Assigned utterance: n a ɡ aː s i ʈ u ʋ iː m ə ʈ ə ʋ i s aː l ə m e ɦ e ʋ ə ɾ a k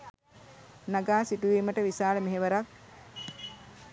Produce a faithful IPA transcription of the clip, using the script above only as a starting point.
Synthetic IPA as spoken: n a ɡ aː s i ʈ u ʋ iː m ə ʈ ə ʋ i s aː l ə m e ɦ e ʋ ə ɾ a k